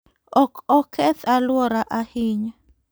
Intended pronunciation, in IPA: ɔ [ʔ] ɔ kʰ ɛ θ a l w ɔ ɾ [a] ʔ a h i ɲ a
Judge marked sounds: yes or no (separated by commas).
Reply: no, yes